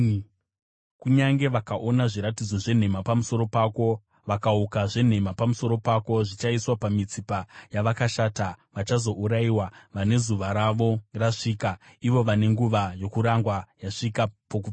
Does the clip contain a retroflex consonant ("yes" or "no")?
yes